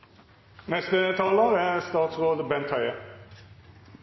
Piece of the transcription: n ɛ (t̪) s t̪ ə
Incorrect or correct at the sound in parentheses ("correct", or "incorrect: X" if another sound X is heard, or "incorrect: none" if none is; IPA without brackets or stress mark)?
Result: incorrect: none